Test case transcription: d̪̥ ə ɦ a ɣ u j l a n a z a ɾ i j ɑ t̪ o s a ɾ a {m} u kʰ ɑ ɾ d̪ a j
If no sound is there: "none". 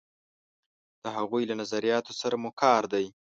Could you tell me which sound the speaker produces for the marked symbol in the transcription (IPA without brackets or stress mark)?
m